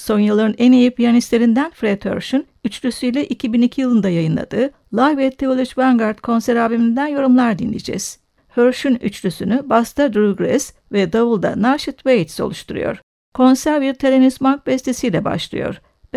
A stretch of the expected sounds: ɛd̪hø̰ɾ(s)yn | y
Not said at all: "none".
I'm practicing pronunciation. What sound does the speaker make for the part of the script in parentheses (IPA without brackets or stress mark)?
ʃ